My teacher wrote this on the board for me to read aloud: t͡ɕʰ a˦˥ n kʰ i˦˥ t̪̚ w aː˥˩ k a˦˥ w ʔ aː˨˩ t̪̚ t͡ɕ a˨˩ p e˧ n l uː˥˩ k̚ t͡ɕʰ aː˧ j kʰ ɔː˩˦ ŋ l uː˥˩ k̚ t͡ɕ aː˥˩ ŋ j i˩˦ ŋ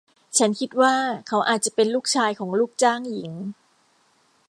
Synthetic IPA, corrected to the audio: t͡ɕʰ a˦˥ n kʰ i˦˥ t̪̚ w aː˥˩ kʰ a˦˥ w ʔ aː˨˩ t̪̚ t͡ɕ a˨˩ p e˧ n l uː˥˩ k̚ t͡ɕʰ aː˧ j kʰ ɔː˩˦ ŋ l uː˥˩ k̚ t͡ɕ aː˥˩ ŋ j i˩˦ ŋ